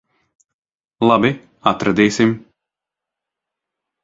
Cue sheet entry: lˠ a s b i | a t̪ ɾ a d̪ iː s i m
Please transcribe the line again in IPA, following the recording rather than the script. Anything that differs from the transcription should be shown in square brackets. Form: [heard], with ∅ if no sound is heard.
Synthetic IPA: lˠ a [∅] b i | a t̪ ɾ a d̪ iː s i m